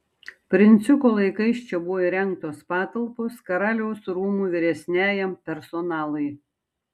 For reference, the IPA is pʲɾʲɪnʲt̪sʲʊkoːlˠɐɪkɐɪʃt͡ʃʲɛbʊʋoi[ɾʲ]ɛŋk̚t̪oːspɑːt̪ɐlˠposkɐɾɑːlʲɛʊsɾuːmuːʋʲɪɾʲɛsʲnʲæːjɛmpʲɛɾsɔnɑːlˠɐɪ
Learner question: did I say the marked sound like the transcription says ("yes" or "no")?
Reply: yes